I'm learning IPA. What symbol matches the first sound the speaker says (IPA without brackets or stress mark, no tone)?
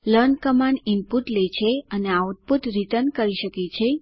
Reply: l